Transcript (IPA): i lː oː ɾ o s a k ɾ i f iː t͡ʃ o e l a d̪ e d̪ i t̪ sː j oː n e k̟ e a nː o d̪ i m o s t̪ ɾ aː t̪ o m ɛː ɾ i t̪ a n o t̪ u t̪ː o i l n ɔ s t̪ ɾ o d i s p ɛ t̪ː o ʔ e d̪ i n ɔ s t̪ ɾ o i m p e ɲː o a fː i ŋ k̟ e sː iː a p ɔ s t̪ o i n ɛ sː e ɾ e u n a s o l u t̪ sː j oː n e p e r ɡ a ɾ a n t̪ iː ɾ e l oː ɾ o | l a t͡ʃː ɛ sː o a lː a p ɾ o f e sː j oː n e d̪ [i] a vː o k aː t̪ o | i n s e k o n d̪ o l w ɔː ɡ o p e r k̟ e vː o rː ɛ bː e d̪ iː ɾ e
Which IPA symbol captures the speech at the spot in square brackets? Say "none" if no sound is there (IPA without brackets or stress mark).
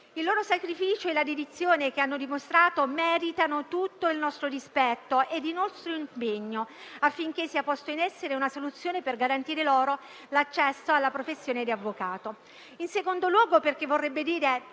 i